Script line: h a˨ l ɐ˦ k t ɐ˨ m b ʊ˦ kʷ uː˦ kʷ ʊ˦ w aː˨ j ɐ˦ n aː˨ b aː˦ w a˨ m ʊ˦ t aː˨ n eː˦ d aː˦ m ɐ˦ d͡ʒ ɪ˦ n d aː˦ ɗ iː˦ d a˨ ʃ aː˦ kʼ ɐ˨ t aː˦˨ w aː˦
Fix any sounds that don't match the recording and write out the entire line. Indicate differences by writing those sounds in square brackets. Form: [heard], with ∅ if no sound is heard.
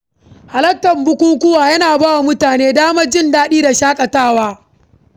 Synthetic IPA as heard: h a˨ l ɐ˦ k t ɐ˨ m b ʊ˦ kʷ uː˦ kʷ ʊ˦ w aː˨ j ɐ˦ n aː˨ b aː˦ w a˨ m ʊ˦ t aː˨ n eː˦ d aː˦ m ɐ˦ d͡ʒ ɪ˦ n d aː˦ ɗ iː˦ d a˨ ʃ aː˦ kʼ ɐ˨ t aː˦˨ w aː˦